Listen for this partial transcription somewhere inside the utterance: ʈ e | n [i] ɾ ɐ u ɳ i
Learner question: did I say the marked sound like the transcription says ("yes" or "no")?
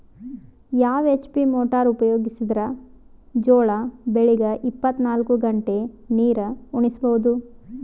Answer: no